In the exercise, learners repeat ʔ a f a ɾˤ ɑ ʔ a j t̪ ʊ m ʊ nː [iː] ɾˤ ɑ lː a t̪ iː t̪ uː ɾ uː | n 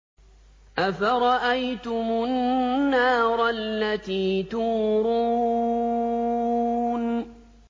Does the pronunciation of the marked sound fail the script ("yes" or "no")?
yes